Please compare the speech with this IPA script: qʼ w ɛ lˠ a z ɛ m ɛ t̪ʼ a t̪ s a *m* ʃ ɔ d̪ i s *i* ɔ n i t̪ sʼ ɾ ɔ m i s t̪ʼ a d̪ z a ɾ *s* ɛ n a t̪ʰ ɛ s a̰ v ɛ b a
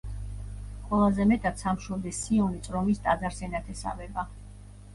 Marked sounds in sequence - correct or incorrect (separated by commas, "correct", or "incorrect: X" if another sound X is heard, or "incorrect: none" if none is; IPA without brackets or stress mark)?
correct, correct, correct